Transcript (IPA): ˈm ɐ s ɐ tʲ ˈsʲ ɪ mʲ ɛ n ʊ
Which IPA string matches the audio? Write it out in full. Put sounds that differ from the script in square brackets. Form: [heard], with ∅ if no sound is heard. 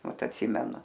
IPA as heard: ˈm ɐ [t] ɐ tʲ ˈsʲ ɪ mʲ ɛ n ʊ